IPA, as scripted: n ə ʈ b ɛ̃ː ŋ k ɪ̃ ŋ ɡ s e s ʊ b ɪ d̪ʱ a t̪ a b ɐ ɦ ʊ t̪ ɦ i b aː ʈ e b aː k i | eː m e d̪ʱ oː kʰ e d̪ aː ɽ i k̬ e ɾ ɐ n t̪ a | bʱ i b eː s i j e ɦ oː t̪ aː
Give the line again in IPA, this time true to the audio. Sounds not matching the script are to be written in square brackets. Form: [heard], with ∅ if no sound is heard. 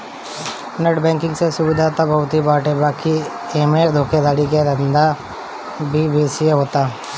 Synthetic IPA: n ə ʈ b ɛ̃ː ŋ k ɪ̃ ŋ ɡ s e s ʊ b ɪ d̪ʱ a t̪ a b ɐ ɦ ʊ t̪ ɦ i b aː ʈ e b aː k i | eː m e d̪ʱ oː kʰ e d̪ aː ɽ i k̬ e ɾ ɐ n [d̪] a | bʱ i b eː s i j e ɦ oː t̪ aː